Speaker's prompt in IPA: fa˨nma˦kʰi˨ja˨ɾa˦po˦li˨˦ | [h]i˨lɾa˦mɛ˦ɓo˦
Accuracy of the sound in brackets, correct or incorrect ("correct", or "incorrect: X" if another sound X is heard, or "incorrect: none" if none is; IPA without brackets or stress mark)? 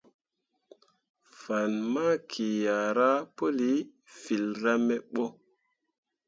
incorrect: f